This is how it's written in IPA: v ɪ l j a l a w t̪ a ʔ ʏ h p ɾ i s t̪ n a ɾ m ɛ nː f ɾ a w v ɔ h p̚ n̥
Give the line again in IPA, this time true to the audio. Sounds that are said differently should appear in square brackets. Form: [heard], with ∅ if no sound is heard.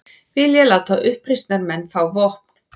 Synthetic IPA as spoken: v ɪ l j [ɛ] l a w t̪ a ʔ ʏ h p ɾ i s t̪ n a ɾ m ɛ nː f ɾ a w v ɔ h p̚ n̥